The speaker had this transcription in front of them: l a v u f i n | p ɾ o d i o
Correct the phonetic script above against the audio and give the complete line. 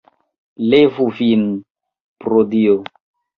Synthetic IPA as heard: l e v u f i n | p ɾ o d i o